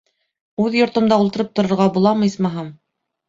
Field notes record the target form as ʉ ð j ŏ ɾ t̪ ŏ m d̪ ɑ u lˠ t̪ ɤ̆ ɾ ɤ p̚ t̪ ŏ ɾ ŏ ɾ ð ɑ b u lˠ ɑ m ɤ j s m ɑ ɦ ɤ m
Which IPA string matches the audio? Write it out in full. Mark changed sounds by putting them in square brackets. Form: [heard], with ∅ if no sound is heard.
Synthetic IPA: ʉ ð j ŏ ɾ t̪ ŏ m d̪ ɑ u lˠ t̪ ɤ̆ ɾ ɤ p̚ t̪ ŏ ɾ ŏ ɾ [ʁ] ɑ b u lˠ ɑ m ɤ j s m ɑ ɦ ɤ m